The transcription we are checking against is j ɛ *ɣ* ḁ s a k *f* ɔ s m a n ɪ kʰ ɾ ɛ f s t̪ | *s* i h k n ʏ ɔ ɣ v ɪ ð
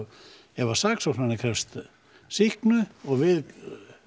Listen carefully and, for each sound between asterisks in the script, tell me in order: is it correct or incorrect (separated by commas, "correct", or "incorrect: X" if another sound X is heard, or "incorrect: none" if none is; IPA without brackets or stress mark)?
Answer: incorrect: v, incorrect: s, correct